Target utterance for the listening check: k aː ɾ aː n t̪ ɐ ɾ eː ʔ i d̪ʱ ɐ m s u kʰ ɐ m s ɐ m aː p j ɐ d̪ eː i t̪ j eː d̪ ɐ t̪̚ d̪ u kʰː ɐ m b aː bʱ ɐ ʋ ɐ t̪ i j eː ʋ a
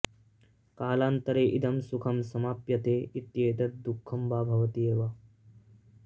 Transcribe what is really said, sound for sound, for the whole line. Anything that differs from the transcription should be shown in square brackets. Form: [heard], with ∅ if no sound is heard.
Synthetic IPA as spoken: k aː [l] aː n t̪ ɐ ɾ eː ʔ i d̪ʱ ɐ m s u kʰ ɐ m s ɐ m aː p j ɐ [t̪] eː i t̪ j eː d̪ ɐ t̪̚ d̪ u kʰː ɐ m b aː bʱ ɐ ʋ ɐ t̪ i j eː ʋ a